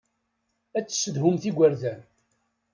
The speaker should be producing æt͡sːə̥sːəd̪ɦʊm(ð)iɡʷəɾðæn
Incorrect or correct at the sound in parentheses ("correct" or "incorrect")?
incorrect